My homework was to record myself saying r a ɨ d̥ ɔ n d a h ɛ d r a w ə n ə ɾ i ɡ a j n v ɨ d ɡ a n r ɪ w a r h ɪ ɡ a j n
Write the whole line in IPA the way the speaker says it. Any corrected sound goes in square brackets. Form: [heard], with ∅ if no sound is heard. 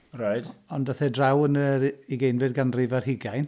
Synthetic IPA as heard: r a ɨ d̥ ɔ n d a [θ] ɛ d r a w ə n ə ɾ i ɡ [e] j n v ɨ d ɡ a n r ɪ [v] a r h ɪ ɡ a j n